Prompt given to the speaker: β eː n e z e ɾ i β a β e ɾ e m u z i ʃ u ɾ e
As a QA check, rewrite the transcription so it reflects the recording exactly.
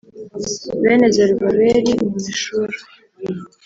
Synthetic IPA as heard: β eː n e z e ɾ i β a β e ɾ i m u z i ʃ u ɾ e